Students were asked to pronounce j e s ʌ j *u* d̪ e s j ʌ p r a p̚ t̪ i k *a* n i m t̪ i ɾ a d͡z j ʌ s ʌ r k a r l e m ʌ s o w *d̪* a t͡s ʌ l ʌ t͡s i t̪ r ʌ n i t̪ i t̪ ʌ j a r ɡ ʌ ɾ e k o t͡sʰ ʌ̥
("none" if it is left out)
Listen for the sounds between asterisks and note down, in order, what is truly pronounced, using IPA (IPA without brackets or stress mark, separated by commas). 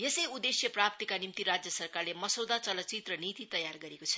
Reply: u, a, d̪